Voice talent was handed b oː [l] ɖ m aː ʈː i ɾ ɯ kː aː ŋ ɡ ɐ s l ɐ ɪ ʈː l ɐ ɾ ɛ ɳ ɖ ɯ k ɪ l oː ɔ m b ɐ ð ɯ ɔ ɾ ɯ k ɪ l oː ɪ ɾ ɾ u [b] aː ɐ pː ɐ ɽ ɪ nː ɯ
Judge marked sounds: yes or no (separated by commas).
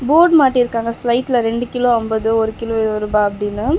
no, yes